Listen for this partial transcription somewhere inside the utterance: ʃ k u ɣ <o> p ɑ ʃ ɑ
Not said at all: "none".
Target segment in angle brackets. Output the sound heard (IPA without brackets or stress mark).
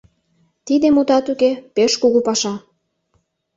u